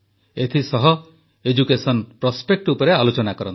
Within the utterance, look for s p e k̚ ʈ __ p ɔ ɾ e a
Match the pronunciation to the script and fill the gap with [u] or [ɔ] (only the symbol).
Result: u